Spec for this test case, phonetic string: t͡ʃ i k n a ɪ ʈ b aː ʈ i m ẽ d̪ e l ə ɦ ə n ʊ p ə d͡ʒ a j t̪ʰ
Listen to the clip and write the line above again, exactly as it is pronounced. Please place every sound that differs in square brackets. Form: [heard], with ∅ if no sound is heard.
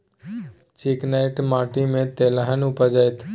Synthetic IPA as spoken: t͡ʃ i k n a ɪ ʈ [m] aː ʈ i m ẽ [t̪] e l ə ɦ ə n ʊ p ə d͡ʒ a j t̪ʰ